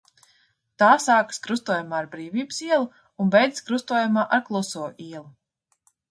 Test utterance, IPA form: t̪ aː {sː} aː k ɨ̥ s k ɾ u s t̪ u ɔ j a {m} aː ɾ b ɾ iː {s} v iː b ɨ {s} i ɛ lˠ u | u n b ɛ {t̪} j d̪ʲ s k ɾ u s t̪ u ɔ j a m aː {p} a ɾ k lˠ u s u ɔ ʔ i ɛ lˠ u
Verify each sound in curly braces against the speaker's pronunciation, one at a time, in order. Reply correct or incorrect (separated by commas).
incorrect, correct, incorrect, correct, incorrect, incorrect